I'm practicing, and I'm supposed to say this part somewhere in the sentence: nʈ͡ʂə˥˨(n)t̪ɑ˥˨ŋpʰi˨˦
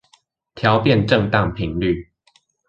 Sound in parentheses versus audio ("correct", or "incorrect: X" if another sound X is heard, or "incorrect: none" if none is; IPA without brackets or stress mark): incorrect: ŋ